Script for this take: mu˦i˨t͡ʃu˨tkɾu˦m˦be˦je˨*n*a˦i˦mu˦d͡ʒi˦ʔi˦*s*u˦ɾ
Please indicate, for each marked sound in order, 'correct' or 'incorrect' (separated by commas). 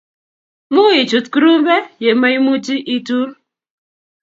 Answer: incorrect, incorrect